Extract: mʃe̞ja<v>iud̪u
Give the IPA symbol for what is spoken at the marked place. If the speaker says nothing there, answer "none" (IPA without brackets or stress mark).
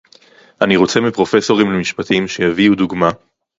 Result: v